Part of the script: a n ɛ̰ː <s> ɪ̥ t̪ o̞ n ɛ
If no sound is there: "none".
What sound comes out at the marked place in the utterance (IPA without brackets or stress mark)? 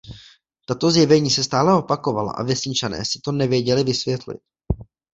s